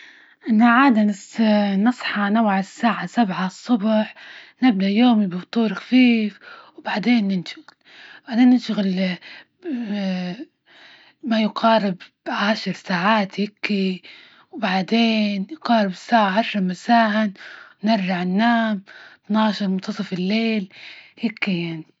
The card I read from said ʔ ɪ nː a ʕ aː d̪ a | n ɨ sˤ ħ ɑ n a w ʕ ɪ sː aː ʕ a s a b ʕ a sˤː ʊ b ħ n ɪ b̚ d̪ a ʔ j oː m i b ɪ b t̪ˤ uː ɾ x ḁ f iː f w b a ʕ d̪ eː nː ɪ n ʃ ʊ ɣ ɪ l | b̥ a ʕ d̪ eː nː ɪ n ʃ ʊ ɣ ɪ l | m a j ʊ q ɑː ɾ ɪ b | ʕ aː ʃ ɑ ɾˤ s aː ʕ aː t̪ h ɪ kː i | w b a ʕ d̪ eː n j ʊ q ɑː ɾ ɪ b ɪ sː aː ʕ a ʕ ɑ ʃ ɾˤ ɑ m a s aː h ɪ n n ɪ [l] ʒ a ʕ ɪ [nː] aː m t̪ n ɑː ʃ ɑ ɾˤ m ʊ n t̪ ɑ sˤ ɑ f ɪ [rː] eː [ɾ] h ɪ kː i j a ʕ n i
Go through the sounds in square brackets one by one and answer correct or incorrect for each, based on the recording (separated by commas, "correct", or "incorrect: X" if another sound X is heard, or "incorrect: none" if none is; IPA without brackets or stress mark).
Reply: incorrect: ɾ, correct, incorrect: lː, incorrect: l